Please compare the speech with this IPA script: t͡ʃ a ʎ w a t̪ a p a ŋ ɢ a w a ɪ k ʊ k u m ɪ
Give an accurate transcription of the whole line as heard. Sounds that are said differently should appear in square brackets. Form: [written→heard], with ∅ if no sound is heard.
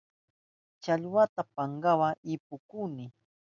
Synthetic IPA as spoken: t͡ʃ a ʎ w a t̪ a p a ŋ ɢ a w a ɪ [k→p] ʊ k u [m→n] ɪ